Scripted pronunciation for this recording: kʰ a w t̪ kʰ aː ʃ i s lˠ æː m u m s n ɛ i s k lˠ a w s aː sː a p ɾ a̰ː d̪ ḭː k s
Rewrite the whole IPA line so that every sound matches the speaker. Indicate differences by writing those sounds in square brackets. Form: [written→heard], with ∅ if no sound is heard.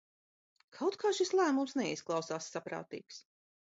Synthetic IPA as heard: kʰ a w t̪ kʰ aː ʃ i s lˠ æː m u m s n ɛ i s k lˠ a w s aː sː a p ɾ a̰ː [d̪→t̪] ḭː k s